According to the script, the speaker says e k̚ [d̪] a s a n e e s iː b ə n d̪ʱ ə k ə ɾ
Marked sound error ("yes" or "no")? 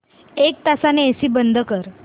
yes